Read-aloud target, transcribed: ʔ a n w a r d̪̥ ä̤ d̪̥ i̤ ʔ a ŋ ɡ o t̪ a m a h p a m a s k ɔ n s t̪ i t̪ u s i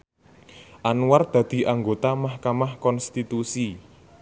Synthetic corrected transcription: ʔ a n w a r d̪̥ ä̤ d̪̥ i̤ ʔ a ŋ ɡ o t̪ a m a h k a m a h k ɔ n s t̪ i t̪ u s i